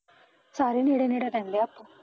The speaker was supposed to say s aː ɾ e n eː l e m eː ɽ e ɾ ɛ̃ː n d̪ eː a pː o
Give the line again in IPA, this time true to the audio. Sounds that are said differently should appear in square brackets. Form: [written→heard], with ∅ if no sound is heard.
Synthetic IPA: s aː ɾ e n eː [l→ɽ] e [m→n] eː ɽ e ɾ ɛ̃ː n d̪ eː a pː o